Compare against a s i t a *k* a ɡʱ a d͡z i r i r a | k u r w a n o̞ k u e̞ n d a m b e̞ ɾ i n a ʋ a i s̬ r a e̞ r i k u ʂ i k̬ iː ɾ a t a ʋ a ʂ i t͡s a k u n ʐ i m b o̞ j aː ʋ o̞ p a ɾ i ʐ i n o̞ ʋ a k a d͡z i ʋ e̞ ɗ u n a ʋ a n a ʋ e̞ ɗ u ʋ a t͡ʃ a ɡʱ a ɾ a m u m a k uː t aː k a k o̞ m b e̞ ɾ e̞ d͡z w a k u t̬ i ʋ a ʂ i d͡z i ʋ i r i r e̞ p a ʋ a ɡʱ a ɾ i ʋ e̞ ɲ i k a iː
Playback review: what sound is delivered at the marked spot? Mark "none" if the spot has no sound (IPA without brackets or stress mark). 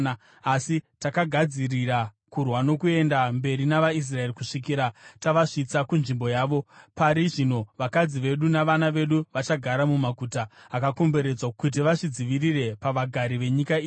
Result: k